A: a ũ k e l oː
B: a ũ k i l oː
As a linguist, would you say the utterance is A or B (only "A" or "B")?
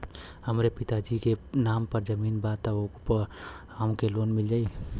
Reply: A